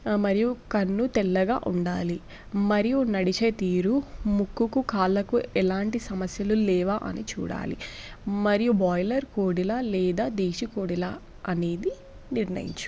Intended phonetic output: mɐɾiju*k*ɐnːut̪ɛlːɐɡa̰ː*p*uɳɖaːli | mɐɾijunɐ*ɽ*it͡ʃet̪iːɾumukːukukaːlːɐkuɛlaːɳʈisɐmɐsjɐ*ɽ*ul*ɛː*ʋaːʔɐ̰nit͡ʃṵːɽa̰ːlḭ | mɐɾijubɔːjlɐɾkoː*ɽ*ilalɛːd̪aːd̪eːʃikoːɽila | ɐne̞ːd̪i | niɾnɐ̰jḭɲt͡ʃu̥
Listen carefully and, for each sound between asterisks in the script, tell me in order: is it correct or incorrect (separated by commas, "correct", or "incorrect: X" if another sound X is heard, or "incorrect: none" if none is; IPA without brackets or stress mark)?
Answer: correct, incorrect: ʔ, correct, incorrect: l, correct, correct